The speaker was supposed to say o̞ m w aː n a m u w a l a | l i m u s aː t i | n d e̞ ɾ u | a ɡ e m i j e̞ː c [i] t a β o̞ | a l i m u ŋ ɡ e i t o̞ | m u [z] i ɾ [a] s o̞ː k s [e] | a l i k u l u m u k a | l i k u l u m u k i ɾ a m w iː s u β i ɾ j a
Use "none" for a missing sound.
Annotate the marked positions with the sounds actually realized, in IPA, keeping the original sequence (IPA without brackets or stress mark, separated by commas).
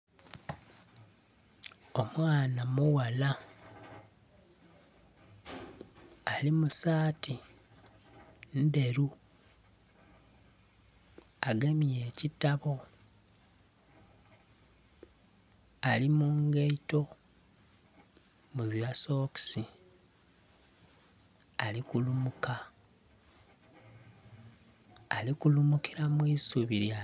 i, z, a, i